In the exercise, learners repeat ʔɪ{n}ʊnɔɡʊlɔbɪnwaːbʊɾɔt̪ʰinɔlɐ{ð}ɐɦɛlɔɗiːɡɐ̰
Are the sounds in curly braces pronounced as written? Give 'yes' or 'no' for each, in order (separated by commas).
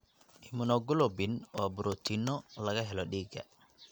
no, no